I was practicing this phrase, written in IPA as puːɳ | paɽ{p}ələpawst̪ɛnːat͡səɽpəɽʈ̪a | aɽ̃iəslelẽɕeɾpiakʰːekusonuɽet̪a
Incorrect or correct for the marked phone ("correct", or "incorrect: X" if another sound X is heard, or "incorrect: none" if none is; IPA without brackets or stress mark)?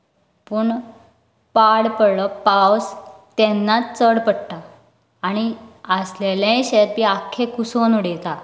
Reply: correct